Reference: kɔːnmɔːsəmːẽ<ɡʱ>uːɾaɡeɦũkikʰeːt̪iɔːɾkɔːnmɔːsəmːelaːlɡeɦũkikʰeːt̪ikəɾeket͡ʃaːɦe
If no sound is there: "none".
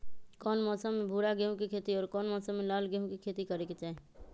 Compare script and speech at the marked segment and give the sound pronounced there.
bʱ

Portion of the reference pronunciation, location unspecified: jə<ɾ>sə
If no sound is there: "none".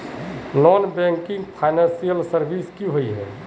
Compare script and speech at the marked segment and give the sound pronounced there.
l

